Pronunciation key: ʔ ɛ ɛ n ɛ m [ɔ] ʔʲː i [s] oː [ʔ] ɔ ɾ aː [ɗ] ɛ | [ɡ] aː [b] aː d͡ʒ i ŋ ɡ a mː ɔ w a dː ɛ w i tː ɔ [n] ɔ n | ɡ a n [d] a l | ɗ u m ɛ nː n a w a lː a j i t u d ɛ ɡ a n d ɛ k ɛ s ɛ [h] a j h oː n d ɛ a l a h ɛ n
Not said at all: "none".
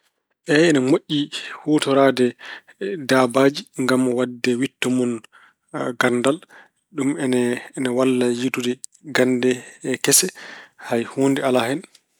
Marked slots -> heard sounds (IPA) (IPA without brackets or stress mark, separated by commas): o, h, t, d, d, b, m, d, h